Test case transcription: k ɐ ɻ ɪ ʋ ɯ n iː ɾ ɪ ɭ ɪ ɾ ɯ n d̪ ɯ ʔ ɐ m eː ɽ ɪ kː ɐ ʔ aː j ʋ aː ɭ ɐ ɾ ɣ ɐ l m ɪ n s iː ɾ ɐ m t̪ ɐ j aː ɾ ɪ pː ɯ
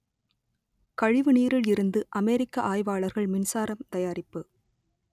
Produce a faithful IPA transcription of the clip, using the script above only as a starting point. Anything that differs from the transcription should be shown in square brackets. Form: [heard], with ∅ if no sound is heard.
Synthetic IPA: k ɐ ɻ ɪ ʋ ɯ n iː ɾ ɪ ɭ ɪ ɾ ɯ n d̪ ɯ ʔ ɐ m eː [ɾ] ɪ kː ɐ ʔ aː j ʋ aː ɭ ɐ ɾ ɣ ɐ [ɭ] m ɪ n s [aː] ɾ ɐ m t̪ ɐ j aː ɾ ɪ pː ɯ